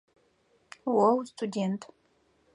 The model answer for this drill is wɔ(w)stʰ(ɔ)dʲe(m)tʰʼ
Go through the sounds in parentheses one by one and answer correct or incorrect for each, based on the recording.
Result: correct, incorrect: u, incorrect: n

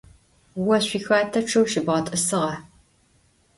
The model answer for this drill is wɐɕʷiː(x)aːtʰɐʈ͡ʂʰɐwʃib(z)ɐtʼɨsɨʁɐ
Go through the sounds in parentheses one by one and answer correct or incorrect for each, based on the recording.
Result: correct, incorrect: ʁ

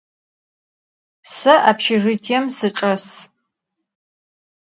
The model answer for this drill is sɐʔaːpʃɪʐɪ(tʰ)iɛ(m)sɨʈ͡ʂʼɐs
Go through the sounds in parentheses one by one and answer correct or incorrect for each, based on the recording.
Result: correct, correct

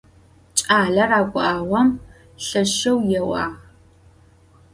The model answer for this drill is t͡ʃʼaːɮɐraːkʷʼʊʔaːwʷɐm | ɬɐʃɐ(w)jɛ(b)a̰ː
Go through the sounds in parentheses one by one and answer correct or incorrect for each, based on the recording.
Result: correct, incorrect: w

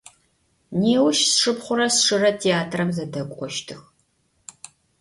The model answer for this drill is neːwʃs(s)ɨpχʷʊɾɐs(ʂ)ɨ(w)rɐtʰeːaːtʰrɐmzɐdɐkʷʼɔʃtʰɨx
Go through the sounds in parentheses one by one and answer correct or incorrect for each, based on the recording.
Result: incorrect: ʂ, correct, incorrect: none

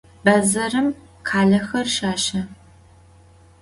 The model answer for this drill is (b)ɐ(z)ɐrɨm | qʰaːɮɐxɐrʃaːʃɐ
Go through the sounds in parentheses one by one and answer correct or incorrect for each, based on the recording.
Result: correct, correct

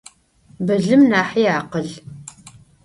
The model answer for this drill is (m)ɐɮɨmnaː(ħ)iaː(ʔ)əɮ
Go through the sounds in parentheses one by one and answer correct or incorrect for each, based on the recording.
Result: incorrect: b, correct, incorrect: q

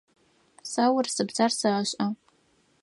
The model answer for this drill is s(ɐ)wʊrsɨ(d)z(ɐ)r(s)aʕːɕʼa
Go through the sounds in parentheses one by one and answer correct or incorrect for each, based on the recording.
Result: incorrect: a, incorrect: b, incorrect: a, correct

